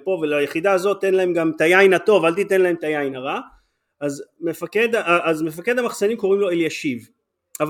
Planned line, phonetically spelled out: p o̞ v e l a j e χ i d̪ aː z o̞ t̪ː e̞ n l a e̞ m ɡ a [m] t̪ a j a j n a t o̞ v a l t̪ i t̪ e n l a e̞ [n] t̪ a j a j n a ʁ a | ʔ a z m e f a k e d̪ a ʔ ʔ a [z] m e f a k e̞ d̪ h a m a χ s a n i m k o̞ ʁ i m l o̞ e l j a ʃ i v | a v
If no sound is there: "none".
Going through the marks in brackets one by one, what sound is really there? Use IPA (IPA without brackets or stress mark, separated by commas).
m, m, z